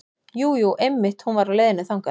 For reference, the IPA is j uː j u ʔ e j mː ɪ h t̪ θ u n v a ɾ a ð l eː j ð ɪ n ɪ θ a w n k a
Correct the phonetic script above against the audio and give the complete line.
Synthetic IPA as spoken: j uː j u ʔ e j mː ɪ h t̪ h u n v a ɾ a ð l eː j ð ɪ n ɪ θ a w ŋ k a